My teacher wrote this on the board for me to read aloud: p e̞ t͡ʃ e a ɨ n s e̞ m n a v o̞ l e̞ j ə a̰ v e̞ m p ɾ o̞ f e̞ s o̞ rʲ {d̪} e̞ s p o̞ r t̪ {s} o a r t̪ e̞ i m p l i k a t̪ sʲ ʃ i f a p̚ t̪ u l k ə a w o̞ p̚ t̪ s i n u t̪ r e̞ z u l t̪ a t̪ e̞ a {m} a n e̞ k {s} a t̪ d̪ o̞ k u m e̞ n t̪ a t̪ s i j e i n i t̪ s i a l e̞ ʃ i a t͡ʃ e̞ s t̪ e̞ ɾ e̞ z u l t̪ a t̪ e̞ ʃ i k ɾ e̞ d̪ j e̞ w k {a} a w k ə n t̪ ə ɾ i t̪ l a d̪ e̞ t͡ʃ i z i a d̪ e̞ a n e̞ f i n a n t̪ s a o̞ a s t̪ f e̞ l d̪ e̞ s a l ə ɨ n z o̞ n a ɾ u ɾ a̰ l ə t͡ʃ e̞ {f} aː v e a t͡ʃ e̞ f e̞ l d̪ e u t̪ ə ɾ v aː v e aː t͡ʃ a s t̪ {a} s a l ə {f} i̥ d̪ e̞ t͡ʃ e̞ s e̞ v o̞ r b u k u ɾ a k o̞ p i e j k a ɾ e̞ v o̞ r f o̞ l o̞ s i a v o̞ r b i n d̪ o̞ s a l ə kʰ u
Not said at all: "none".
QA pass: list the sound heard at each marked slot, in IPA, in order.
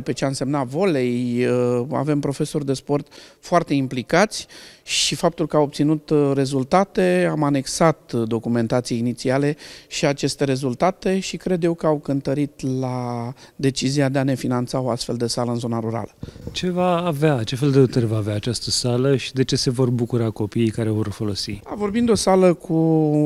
d̪, f, m, s, ə, v, ə, ʃ

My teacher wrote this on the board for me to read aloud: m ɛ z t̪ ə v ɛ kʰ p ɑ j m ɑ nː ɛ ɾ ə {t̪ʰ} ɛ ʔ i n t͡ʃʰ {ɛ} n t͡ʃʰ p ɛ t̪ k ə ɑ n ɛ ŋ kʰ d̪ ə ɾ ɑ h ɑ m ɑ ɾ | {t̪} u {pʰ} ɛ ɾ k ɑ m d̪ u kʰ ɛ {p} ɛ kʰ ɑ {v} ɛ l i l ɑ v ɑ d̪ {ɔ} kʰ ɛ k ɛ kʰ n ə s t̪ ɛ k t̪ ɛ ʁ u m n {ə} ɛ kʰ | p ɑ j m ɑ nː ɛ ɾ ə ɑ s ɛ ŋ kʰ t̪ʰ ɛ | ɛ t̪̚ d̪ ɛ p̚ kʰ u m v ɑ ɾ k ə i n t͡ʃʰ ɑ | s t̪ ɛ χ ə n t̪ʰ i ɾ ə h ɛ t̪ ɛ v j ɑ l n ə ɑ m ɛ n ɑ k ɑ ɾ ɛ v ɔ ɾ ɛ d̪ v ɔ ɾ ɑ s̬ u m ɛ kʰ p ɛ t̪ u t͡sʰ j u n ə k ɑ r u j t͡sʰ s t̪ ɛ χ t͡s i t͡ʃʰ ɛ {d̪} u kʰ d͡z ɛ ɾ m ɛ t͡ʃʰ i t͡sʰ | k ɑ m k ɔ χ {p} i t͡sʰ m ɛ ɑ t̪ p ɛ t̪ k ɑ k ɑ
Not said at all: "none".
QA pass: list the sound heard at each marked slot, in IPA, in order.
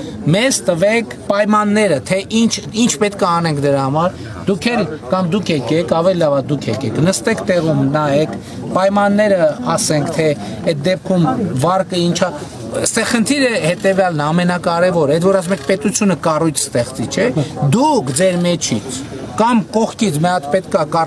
t̪ʰ, i, d̪, kʰ, k, v, u, ɑ, d̪, k

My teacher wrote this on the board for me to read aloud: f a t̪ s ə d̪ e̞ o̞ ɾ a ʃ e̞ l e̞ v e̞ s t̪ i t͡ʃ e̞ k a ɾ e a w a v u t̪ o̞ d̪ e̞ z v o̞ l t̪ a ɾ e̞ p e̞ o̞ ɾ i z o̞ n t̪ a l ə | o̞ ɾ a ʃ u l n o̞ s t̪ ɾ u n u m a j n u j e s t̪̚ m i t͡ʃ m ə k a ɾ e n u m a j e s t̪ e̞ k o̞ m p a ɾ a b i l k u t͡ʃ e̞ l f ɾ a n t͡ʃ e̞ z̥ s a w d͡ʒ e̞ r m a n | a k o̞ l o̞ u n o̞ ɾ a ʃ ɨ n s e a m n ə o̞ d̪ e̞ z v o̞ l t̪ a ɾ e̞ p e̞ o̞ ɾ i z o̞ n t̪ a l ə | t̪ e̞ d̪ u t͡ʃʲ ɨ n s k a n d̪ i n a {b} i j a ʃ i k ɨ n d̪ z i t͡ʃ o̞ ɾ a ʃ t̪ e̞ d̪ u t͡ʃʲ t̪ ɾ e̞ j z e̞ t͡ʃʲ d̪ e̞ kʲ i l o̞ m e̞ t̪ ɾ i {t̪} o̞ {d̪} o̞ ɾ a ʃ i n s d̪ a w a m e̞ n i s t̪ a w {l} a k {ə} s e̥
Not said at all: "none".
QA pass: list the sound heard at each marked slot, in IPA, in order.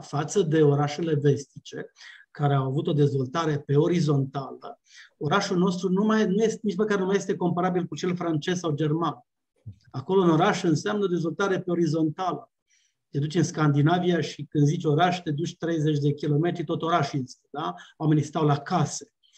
v, t̪, t̪, l, a

